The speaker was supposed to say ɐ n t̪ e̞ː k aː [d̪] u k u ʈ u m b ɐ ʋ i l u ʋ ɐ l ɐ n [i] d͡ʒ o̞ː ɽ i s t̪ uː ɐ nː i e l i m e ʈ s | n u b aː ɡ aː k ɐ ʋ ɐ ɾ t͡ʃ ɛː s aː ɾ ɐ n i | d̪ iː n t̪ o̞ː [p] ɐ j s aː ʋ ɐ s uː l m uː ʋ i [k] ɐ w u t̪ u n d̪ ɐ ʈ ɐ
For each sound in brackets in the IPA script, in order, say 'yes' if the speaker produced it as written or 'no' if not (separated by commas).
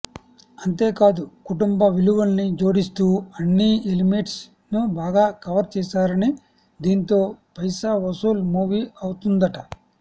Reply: yes, yes, yes, no